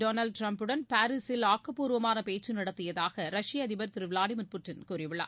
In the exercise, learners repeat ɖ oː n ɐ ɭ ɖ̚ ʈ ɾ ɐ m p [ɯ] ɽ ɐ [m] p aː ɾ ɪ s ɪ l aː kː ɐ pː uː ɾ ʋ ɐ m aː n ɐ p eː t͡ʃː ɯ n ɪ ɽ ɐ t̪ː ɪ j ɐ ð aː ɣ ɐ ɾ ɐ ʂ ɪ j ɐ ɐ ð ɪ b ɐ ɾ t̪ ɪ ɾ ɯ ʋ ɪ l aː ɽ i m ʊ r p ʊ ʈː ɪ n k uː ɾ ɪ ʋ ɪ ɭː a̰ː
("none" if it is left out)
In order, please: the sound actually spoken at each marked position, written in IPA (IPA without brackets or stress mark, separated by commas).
ɯ, n